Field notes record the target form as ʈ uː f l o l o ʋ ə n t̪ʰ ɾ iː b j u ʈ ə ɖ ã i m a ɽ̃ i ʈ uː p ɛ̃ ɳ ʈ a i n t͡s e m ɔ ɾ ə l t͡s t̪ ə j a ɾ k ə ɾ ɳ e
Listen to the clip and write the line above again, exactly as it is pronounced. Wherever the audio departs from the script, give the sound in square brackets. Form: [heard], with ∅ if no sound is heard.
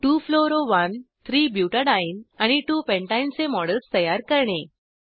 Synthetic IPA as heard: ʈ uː f l o [ɾ] o ʋ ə n t̪ʰ ɾ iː b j u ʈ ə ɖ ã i [n] a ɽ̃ i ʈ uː p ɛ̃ ɳ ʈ a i n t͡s e m ɔ [ɽ] ə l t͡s t̪ ə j a ɾ k ə ɾ ɳ e